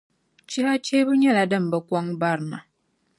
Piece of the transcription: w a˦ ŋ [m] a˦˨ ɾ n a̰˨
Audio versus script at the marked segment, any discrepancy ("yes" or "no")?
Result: yes